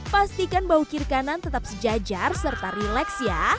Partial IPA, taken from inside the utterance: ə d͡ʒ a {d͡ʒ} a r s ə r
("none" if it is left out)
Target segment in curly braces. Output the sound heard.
d͡ʒ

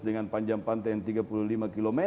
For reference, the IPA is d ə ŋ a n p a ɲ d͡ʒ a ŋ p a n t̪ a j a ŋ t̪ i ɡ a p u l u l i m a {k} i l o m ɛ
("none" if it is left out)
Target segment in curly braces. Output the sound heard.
k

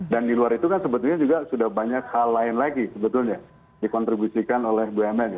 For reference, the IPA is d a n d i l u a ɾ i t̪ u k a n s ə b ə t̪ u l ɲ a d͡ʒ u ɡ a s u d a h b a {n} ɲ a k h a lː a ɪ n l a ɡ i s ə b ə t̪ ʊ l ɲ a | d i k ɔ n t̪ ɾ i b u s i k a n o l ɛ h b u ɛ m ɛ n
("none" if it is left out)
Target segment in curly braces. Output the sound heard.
none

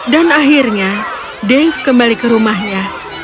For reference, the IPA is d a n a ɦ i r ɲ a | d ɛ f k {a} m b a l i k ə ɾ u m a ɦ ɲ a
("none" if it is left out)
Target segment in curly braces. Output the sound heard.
ə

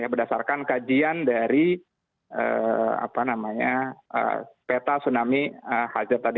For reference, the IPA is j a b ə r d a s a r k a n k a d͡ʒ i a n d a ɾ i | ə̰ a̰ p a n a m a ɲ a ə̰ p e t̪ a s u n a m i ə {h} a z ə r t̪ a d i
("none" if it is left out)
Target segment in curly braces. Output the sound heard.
h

